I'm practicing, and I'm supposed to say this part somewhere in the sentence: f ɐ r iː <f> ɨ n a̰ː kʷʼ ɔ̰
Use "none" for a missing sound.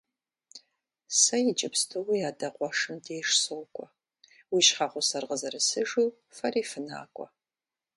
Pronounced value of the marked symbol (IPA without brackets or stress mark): f